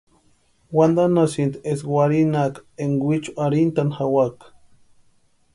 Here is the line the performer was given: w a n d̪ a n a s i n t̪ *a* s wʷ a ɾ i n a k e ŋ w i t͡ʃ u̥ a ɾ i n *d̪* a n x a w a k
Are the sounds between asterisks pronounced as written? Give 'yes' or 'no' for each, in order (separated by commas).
no, no